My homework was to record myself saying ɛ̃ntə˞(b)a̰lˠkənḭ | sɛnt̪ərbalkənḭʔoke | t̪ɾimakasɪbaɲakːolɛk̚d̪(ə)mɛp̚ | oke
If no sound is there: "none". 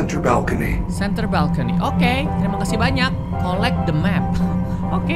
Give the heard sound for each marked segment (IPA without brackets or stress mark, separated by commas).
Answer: b, ə